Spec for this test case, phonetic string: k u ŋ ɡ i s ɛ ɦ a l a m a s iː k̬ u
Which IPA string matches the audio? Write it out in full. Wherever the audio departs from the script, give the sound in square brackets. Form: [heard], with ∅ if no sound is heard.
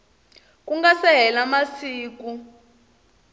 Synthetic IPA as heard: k u ŋ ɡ [a] s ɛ ɦ [ɛ] l a m a s iː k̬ u